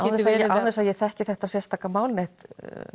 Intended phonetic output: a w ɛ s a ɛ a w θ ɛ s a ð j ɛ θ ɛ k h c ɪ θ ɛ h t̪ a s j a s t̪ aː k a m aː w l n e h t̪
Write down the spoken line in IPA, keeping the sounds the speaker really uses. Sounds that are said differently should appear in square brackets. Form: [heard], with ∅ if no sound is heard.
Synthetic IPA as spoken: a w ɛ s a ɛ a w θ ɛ s a ð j ɛ θ ɛ [∅] h c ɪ θ ɛ h t̪ a s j [ɛ] s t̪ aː k a m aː w l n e h t̪